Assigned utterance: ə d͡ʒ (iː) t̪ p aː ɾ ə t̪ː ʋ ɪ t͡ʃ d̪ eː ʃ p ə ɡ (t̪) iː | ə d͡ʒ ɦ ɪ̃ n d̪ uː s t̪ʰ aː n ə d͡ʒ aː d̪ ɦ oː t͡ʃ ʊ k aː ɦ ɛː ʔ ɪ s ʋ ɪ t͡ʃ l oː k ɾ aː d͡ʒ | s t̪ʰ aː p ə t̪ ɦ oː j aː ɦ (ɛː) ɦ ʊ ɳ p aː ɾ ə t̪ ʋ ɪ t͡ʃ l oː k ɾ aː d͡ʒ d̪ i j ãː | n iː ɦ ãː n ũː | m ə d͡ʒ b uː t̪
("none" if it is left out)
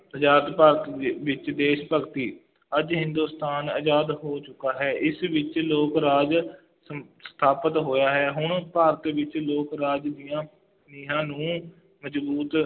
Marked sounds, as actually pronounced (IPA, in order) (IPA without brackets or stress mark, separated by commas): aː, t̪, ɛː